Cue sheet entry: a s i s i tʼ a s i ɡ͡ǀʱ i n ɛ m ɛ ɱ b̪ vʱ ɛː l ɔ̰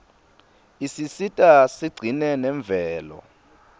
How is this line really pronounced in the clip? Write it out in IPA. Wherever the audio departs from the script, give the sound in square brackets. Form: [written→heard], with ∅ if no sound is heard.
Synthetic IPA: [a→i] s i s i tʼ a s i ɡ͡ǀʱ i n ɛ [m→n] ɛ ɱ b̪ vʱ ɛː l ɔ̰